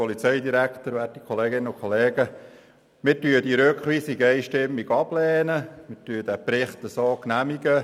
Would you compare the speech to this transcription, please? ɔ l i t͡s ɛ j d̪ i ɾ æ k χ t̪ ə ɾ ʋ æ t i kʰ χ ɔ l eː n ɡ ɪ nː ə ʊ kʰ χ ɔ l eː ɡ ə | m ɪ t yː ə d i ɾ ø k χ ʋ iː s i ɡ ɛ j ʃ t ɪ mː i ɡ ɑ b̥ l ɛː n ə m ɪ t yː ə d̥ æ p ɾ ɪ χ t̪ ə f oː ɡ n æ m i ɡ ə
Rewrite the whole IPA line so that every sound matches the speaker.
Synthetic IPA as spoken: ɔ l i t͡s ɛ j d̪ i ɾ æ k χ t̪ ə ɾ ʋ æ t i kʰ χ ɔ l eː ɡ ɪ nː ə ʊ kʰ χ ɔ l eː ɡ ə | m ɪ t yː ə d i ɾ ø k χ ʋ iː s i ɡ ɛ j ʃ t ɪ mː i ɡ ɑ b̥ l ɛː n ə m ɪ t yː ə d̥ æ p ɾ ɪ χ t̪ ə s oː k n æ m i ɡ ə